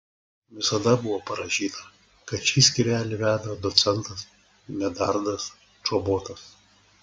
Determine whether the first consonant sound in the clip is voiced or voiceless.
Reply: voiced